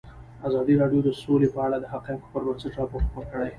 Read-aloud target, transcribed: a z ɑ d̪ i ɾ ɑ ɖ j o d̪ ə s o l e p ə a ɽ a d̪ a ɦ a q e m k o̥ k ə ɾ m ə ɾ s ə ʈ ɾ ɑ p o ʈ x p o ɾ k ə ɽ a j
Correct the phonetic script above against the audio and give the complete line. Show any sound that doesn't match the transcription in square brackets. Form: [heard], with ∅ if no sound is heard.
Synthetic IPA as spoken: a z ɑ d̪ i ɾ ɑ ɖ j o d̪ ə s o l e p ə a ɽ a d̪ [ə] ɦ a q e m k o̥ [p] ə ɾ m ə ɾ s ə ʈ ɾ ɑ p o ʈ x p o ɾ k ə ɽ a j